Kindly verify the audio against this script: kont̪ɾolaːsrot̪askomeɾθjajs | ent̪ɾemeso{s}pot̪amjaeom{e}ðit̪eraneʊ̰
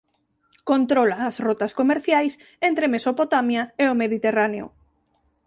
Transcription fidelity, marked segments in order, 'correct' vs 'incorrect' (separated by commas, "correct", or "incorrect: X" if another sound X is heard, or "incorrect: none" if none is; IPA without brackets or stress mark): incorrect: none, correct